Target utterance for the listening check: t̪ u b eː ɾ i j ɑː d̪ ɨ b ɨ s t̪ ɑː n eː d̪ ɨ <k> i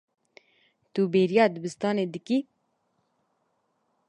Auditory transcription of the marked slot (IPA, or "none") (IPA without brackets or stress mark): k